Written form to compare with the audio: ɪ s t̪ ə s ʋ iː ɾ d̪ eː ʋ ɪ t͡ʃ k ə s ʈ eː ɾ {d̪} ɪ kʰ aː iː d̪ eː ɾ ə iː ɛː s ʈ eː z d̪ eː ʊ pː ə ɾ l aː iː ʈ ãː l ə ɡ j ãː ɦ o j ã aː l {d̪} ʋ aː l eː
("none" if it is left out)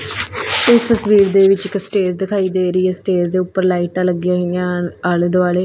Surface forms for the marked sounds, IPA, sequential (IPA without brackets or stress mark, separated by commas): d̪, d̪